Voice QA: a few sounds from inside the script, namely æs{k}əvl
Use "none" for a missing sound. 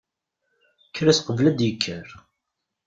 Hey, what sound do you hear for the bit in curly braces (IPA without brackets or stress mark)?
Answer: q